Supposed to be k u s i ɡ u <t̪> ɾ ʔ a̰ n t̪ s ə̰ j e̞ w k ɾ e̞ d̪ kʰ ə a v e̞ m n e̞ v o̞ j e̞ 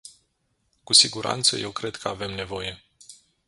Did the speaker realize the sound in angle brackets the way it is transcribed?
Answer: no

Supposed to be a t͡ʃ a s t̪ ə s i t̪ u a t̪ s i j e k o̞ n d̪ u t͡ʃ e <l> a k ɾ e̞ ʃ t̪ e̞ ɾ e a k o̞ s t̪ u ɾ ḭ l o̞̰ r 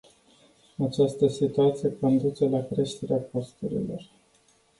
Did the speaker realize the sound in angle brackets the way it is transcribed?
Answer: yes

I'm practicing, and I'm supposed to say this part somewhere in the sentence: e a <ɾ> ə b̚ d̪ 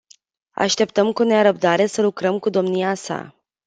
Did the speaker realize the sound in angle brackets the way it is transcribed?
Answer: yes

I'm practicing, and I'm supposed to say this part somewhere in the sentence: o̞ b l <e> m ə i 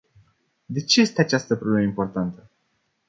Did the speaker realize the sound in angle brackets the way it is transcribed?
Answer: yes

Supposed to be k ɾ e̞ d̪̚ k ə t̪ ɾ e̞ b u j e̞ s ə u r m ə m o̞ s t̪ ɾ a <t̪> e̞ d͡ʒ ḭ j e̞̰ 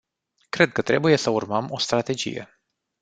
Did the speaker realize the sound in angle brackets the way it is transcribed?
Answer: yes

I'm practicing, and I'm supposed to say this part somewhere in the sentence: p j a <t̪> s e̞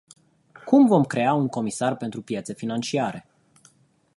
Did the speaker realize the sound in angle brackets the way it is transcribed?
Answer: yes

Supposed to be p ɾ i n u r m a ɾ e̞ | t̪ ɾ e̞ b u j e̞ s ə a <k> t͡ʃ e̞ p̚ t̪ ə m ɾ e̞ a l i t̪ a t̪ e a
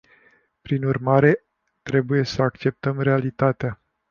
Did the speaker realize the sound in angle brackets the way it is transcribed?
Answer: yes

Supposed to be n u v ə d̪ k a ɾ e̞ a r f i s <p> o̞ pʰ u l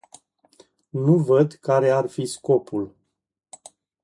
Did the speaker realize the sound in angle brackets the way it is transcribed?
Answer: no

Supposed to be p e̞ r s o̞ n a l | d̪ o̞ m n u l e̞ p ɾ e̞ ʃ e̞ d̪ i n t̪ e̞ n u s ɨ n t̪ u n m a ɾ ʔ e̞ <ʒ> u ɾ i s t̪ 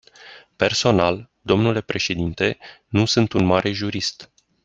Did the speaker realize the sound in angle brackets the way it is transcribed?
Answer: yes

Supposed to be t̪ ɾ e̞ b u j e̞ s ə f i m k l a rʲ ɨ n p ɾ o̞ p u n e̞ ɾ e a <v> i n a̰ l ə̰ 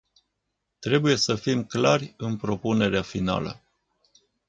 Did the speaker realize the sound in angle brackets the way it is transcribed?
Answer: no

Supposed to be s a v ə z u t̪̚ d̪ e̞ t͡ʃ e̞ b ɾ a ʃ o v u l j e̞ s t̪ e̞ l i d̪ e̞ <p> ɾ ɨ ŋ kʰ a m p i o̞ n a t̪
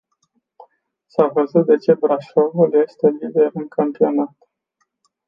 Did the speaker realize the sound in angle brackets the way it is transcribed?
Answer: no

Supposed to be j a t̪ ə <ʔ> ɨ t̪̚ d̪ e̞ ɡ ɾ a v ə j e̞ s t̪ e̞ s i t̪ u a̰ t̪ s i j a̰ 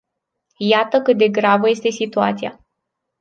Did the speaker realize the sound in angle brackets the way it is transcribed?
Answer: no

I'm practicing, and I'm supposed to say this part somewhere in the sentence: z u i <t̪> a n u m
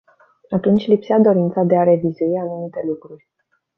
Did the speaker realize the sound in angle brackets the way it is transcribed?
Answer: no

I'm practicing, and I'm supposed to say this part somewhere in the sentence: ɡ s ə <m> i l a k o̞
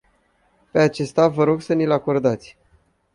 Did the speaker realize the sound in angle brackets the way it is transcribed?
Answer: no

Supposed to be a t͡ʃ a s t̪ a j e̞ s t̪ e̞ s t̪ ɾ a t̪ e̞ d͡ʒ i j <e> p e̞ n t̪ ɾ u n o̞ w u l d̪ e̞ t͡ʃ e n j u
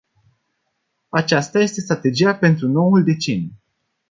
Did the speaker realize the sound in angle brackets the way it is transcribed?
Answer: no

